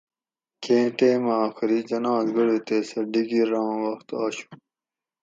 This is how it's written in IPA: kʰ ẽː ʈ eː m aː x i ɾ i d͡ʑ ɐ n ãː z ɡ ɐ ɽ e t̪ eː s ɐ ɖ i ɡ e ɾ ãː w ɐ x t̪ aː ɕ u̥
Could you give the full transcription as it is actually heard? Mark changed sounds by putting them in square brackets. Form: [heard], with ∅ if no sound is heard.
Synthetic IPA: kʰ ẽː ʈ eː m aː x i ɾ i d͡ʑ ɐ n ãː z ɡ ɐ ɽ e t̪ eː s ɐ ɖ i ɡ [i] ɾ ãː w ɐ x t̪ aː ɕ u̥